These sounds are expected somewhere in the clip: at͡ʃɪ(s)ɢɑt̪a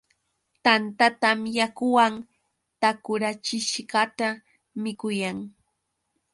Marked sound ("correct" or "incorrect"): incorrect